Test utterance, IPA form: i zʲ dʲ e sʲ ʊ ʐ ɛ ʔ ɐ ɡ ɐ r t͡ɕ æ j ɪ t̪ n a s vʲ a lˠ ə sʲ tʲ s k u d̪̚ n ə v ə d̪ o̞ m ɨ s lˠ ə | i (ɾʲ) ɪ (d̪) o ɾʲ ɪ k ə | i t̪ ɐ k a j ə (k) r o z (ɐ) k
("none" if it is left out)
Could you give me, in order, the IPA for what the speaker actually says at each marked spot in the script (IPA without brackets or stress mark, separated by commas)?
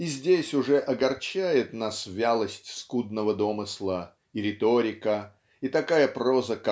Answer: ɾʲ, t̪, p, ə